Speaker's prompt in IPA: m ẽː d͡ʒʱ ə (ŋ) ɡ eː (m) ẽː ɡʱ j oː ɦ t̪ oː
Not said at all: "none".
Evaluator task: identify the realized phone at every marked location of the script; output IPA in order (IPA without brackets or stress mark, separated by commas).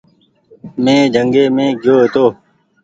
ŋ, m